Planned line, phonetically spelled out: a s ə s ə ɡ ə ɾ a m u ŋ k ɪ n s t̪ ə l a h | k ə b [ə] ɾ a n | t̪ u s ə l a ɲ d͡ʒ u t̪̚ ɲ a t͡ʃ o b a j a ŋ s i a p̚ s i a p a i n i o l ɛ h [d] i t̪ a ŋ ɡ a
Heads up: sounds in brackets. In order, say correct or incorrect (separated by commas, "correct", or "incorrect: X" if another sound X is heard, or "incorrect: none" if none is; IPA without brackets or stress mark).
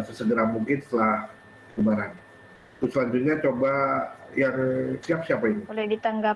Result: incorrect: a, correct